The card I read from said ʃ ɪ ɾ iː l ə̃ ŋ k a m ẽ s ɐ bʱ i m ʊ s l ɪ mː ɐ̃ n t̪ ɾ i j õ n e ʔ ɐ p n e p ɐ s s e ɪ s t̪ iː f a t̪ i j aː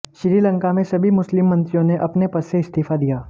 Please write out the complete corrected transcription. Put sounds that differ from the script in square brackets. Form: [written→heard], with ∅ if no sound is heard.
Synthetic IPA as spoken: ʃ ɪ ɾ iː l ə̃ ŋ k a m ẽ s ɐ bʱ i m ʊ s l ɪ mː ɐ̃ n t̪ ɾ i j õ n e ʔ ɐ p n e p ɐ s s e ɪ s t̪ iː f a [t̪→d̪] i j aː